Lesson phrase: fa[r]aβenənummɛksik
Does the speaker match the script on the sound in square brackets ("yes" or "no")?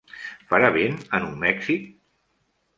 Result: no